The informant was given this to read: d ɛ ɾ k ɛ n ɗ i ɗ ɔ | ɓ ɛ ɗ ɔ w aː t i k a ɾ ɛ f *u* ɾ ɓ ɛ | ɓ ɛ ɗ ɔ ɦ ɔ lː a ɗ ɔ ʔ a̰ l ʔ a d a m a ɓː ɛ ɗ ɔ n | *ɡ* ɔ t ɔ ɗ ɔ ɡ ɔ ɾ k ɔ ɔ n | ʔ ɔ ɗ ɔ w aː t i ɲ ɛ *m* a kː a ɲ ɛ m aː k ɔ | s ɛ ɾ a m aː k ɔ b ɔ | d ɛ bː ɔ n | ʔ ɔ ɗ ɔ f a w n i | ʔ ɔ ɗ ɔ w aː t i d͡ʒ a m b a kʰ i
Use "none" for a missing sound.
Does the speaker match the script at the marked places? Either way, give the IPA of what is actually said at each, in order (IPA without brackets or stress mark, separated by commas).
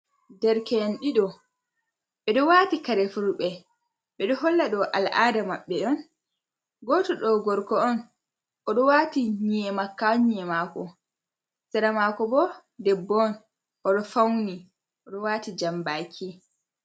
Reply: u, ɡ, m